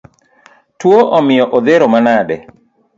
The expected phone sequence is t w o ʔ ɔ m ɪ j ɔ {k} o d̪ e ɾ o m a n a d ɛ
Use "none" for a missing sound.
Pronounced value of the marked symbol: ʔ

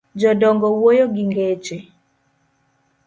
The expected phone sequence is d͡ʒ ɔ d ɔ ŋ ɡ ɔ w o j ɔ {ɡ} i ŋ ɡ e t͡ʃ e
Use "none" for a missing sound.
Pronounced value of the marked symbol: ɡ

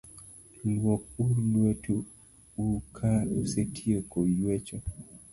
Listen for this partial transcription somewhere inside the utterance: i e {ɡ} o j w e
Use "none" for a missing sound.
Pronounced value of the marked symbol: k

